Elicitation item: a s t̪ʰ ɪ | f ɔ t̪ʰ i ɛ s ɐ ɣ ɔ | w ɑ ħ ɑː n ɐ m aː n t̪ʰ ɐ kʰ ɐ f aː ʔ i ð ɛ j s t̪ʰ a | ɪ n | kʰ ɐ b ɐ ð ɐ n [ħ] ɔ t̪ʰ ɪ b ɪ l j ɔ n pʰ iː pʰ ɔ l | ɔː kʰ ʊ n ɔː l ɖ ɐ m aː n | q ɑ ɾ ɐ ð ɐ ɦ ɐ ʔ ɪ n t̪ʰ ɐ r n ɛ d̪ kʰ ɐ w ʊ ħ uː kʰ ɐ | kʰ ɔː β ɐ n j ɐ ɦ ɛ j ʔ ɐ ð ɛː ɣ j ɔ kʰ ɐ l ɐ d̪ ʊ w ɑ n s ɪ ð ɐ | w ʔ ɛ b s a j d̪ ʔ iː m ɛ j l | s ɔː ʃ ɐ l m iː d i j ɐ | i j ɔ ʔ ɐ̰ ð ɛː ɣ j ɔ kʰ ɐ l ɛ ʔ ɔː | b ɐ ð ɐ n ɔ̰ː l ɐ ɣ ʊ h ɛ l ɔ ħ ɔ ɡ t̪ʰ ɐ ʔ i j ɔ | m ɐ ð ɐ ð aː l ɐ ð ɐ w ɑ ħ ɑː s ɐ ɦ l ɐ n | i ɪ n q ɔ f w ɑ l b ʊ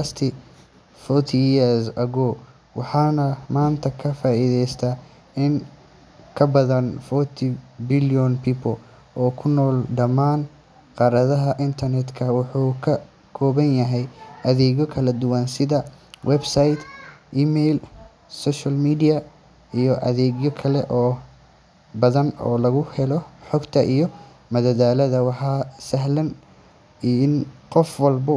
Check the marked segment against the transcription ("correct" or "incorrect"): incorrect